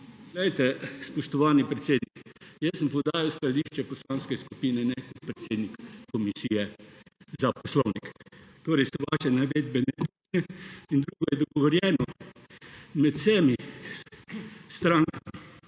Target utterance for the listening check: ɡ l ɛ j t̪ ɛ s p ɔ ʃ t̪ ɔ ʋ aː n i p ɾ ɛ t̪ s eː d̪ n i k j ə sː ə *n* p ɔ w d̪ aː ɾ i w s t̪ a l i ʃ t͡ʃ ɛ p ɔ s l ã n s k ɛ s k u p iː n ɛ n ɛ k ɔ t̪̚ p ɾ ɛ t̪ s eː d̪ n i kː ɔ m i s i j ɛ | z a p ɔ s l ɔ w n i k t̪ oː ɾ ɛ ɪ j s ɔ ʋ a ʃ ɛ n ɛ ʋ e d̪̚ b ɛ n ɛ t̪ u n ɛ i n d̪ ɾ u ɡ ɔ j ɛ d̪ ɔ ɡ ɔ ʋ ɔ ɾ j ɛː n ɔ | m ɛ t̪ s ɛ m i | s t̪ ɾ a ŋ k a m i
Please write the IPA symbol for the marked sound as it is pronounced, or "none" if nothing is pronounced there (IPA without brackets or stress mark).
m